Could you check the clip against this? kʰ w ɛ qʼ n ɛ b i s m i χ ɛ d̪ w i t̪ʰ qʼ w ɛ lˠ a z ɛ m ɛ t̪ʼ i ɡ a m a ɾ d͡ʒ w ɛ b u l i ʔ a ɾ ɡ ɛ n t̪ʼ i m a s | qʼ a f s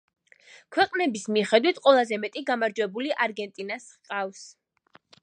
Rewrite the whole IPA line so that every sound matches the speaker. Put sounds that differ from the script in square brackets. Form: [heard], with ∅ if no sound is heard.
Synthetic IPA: kʰ w ɛ qʼ n ɛ b i s m i χ ɛ d̪ w i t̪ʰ qʼ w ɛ lˠ a z ɛ m ɛ t̪ʼ i ɡ a m a ɾ d͡ʒ w ɛ b u l i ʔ a ɾ ɡ ɛ n t̪ʼ i [n] a s | qʼ a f s